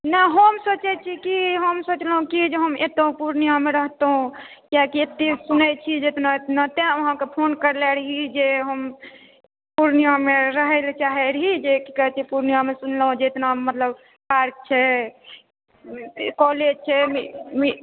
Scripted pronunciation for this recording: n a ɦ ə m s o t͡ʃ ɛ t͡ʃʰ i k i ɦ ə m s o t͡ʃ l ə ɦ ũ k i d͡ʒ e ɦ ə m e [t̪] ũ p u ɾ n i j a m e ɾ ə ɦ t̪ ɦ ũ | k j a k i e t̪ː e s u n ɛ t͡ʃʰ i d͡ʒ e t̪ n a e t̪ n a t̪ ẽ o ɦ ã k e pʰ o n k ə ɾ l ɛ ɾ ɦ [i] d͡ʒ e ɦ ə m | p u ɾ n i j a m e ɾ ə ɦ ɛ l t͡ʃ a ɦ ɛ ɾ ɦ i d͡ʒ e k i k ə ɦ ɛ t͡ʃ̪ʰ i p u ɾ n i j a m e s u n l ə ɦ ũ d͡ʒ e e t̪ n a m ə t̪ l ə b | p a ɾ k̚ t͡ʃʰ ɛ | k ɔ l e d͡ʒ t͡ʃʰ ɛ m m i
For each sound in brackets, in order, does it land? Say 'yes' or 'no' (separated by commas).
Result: yes, yes